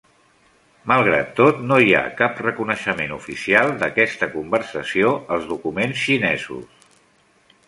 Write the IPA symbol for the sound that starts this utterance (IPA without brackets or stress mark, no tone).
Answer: m